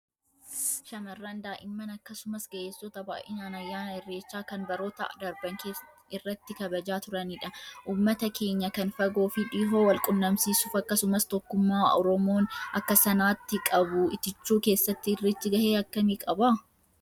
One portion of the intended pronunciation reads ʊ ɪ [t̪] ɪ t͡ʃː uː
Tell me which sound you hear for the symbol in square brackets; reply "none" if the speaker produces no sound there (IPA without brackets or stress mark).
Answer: t̪